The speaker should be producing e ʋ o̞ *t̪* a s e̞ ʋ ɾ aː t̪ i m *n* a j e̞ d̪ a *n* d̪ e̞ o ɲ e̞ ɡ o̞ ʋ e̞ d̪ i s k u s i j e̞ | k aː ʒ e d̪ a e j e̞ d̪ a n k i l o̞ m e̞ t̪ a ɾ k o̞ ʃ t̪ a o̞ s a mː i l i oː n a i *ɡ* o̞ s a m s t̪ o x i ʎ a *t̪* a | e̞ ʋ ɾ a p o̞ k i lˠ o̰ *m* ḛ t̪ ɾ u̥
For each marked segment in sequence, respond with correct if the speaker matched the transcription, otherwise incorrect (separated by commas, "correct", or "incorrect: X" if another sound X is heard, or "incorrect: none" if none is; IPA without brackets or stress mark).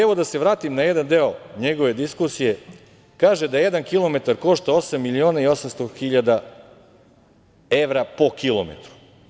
incorrect: d̪, correct, correct, incorrect: none, incorrect: d̪, correct